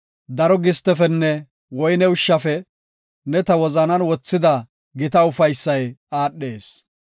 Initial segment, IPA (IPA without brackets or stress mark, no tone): d̪